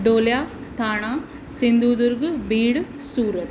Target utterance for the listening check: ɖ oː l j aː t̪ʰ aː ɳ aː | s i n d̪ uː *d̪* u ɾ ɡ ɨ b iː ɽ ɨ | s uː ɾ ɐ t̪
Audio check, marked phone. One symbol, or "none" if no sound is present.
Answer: d̪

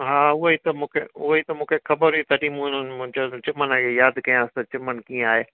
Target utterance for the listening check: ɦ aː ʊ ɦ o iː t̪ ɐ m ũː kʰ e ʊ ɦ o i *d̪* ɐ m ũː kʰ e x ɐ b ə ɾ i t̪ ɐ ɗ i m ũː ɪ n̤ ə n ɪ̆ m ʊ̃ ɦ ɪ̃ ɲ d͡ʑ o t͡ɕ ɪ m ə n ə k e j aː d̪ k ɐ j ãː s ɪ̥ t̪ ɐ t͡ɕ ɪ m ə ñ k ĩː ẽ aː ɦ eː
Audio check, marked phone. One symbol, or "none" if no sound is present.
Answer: t̪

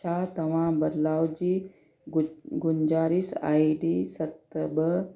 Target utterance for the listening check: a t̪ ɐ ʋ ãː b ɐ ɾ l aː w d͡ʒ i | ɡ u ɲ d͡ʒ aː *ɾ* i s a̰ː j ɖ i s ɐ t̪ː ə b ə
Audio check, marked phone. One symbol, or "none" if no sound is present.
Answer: ɾ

